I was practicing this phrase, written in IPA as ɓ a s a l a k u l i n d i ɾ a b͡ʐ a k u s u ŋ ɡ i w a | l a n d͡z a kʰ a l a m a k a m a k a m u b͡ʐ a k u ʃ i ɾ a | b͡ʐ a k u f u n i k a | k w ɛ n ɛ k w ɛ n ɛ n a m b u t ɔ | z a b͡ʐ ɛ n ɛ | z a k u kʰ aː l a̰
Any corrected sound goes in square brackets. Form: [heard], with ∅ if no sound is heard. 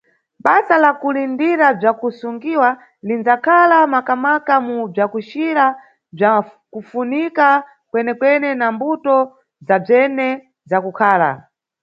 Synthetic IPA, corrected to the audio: ɓ a s a l a k u l i n d i ɾ a b͡ʐ a k u s u ŋ ɡ i w a | l [i] n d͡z a kʰ a l a m a k a m a k a m u b͡ʐ a k u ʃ i ɾ a | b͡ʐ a k u f u n i k a | k w ɛ n ɛ k w ɛ n ɛ n a m b u t ɔ | z a b͡ʐ ɛ n ɛ | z a k u kʰ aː l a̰